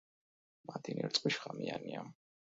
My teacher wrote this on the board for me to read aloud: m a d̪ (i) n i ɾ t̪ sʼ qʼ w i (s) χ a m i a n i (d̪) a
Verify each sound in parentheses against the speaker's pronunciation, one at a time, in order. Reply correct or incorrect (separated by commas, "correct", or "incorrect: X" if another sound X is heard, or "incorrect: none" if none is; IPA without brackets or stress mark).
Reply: correct, incorrect: ʃ, incorrect: none